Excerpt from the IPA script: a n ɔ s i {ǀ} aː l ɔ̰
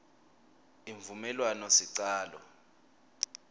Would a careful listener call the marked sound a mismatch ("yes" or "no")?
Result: no